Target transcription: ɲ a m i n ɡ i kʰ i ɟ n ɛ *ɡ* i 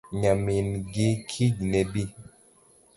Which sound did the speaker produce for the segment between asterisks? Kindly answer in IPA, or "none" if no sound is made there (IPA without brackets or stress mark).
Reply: b